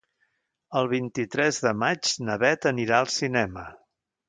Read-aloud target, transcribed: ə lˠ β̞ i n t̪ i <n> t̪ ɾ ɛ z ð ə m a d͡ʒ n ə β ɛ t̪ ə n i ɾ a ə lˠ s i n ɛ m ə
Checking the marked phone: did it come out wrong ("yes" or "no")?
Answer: yes